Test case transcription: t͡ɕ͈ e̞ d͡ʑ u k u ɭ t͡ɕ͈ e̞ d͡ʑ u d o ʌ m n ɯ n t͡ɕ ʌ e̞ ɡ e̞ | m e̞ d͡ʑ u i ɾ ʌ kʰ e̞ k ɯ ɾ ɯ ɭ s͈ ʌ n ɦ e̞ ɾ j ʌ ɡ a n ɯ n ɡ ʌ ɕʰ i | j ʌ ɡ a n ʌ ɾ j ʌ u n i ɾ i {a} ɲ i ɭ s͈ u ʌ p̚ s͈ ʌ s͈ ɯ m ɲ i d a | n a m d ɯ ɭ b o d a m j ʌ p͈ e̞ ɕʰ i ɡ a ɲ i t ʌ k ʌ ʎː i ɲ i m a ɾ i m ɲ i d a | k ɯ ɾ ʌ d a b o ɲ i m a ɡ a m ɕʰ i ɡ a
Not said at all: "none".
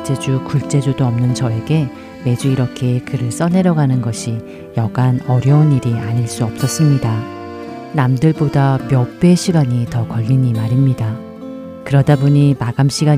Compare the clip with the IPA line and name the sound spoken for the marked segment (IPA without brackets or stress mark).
a